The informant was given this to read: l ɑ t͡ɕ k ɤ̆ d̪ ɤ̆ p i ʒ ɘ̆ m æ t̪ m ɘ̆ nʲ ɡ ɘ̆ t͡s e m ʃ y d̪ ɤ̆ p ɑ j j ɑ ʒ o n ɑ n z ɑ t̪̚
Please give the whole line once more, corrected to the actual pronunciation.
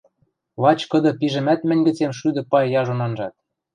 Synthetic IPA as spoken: l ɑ t͡ɕ k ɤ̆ d̪ ɤ̆ p i ʒ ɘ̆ m æ t̪ m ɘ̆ nʲ ɡ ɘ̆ t͡s e m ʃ y d̪ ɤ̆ p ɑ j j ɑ ʒ o n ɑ n ʒ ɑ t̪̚